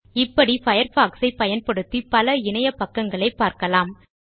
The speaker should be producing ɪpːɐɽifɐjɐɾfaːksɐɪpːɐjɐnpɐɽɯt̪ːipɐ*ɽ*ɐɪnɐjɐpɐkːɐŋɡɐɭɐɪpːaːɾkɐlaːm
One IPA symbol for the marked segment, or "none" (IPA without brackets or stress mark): l